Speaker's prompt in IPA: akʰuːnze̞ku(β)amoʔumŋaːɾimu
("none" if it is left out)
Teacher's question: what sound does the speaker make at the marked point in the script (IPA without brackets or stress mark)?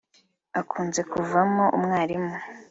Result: v